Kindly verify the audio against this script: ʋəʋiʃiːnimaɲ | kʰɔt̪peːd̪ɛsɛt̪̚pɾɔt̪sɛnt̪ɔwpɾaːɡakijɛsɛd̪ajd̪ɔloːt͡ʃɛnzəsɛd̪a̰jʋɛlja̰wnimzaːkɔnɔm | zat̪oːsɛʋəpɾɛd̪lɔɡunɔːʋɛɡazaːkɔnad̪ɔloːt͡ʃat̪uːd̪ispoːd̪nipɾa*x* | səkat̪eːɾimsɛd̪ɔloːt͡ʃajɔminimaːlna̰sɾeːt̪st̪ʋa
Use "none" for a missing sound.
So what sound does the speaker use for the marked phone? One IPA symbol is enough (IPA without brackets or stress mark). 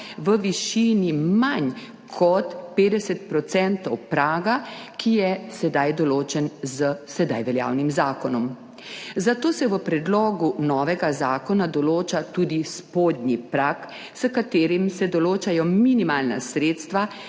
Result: k